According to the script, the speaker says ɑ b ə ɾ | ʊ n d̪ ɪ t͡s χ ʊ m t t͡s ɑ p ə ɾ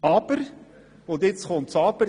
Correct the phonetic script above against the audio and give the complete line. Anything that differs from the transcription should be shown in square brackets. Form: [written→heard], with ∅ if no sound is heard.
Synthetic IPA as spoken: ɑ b ə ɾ | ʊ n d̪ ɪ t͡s χ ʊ [m→n] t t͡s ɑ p ə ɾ